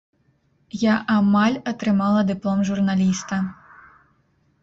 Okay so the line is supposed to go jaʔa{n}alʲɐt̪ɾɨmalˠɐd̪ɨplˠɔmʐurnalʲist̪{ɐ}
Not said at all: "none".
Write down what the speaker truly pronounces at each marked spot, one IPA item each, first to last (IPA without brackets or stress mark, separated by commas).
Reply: m, ɐ